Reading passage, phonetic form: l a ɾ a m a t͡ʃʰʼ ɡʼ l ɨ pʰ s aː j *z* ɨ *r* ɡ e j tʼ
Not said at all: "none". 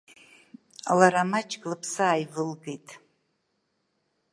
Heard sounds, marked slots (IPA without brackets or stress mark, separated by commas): v, l